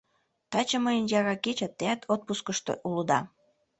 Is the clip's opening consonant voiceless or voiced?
voiceless